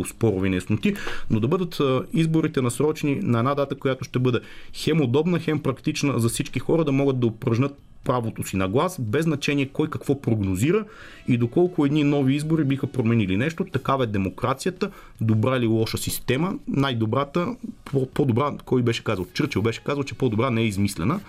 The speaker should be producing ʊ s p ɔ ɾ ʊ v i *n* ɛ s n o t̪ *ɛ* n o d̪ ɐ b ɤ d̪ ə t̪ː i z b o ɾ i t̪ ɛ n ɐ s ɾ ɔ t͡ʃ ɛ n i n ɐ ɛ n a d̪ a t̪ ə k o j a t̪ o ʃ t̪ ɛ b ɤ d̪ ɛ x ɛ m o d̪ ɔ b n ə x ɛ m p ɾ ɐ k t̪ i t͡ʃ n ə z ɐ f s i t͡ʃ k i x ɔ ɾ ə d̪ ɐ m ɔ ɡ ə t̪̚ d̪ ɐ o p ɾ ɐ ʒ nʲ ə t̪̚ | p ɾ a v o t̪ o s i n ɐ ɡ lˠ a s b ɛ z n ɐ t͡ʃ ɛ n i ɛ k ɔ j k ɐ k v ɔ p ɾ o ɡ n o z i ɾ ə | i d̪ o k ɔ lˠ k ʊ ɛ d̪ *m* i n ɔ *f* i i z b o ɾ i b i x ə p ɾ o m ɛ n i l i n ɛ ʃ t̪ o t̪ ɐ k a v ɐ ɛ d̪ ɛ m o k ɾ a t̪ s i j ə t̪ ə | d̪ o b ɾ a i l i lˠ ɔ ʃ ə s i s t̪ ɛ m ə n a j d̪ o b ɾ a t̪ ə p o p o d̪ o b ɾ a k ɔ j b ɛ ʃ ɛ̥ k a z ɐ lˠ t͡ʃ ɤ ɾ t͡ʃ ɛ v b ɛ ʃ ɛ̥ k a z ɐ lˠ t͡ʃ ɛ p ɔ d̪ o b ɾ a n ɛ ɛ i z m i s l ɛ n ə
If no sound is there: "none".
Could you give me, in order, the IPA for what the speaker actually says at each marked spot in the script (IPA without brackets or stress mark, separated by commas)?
n, i, n, v